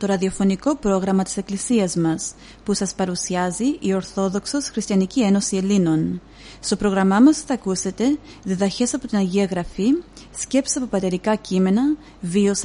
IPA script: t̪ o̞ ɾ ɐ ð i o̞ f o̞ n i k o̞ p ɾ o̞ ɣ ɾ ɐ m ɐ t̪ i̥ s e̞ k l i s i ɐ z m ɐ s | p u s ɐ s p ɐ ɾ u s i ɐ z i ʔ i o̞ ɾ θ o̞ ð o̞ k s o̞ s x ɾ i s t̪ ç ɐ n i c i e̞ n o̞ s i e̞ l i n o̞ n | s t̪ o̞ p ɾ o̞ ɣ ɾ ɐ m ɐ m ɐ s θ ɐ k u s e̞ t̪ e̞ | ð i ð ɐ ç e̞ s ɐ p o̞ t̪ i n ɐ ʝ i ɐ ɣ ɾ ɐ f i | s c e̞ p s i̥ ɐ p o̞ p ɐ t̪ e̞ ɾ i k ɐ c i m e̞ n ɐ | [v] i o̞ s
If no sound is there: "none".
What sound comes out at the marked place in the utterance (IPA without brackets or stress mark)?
v